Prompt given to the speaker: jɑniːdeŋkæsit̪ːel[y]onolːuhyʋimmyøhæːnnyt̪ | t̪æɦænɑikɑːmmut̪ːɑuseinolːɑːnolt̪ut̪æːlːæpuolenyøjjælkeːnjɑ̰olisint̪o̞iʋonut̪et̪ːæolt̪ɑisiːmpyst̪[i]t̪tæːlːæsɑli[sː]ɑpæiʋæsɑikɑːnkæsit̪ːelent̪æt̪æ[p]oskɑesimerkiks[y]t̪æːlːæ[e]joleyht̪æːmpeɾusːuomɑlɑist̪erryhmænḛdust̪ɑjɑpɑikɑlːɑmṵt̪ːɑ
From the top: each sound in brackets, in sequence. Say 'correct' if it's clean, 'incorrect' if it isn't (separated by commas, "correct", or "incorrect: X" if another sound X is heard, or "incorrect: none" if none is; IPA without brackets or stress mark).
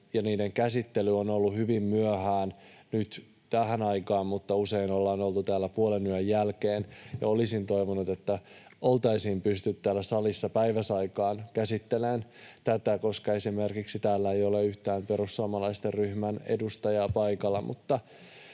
correct, incorrect: y, correct, incorrect: k, incorrect: i, correct